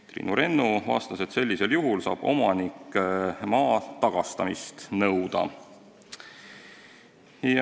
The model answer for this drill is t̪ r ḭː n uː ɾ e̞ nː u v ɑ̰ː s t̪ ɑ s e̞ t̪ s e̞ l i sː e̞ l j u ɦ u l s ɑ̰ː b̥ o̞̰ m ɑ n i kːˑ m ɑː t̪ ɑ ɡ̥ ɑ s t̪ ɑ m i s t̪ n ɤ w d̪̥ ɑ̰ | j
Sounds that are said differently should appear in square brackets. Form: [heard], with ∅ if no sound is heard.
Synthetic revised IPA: t̪ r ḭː n [u] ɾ e̞ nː u v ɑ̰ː s t̪ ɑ s e̞ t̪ s e̞ [lː] i [s] e̞ l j u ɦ u l s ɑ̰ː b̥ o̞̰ m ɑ n i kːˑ m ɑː t̪ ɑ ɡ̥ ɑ s t̪ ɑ m i s t̪ n ɤ w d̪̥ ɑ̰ | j